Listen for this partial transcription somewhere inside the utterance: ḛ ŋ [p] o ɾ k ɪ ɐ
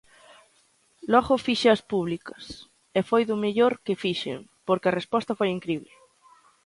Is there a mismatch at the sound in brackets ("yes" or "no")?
no